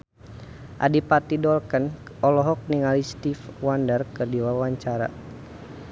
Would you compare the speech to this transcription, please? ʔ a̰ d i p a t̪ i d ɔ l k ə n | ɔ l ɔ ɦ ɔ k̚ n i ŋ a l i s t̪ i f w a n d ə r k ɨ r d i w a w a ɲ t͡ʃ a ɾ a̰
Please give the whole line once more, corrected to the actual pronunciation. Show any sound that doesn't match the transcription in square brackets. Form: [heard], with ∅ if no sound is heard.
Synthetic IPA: ʔ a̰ d i p a t̪ i d ɔ l k ə n | ɔ l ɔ ɦ ɔ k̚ n i ŋ a l i s t̪ i f w a n d ə r k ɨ r d i w a w a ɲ t͡ʃ a ɾ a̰